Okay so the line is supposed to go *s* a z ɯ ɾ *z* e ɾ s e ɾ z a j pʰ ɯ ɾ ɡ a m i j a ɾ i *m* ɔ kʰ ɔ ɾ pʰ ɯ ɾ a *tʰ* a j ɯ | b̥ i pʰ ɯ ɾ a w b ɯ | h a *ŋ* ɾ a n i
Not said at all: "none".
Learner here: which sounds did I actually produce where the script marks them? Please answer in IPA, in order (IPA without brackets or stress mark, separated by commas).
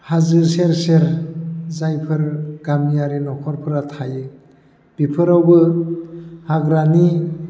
h, s, n, tʰ, ɡ